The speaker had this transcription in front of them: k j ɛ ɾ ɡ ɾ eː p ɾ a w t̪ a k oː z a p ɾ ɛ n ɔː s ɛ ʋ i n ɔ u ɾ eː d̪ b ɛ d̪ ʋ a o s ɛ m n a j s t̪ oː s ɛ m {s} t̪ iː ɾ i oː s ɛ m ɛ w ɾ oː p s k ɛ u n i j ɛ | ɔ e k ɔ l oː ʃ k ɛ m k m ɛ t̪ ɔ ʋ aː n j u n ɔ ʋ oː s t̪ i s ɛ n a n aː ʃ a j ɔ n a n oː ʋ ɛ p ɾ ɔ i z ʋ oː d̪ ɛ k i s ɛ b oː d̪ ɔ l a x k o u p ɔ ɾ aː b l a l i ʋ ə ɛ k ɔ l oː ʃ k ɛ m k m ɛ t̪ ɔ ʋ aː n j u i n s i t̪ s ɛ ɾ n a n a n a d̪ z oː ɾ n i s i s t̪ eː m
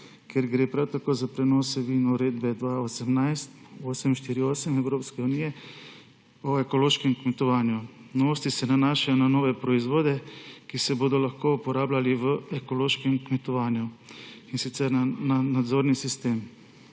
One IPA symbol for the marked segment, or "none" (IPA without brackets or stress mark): ʃ